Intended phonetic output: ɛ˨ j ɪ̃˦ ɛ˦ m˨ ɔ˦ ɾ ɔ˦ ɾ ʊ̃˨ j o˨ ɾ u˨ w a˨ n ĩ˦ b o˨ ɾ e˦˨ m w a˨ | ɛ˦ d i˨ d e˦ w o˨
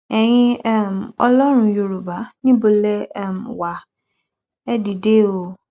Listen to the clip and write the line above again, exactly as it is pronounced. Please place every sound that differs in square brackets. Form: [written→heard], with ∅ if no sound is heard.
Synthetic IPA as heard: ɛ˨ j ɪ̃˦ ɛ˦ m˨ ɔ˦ [ɾ→l] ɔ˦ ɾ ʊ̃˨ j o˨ ɾ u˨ [w→b] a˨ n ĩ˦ b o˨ [ɾ→l] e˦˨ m w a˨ | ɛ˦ d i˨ d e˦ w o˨